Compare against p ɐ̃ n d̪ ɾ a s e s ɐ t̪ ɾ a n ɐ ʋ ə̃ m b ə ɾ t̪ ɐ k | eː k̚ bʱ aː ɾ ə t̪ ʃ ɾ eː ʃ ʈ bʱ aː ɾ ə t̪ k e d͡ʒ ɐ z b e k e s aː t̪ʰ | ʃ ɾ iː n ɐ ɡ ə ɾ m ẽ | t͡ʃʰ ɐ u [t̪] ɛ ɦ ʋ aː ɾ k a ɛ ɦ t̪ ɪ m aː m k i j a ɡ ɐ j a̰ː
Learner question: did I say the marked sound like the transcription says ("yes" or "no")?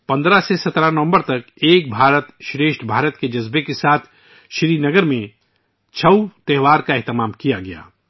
yes